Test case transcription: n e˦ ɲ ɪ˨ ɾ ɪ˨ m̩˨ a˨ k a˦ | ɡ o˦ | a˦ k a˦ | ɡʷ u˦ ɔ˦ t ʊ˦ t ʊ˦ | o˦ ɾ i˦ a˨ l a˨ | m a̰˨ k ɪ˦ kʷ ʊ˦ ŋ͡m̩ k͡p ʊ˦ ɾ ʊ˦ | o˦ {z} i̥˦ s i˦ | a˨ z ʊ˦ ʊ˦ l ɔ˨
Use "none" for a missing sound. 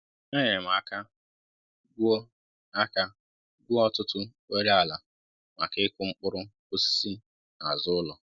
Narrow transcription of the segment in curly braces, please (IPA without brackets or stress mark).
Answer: s